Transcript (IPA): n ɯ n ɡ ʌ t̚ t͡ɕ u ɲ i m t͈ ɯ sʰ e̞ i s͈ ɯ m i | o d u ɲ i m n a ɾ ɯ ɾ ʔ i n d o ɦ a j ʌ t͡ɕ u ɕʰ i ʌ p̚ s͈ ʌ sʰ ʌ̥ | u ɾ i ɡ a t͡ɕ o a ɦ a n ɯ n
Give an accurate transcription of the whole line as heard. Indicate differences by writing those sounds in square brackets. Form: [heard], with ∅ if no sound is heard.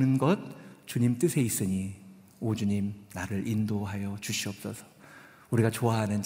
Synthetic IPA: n ɯ n ɡ ʌ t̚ t͡ɕ u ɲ i m t͈ ɯ sʰ e̞ i s͈ ɯ [ɲ] i | o [d͡ʑ] u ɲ i m n a ɾ ɯ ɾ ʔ i n d o ɦ a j ʌ t͡ɕ u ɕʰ i ʌ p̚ s͈ ʌ sʰ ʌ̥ | u ɾ i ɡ a t͡ɕ o a ɦ a n ɯ n